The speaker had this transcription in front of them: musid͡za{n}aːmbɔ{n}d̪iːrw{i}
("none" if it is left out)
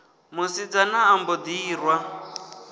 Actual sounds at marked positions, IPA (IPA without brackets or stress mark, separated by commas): n, none, a